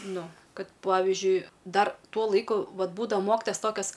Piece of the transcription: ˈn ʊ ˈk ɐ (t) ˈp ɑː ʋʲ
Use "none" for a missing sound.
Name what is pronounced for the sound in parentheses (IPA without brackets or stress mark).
t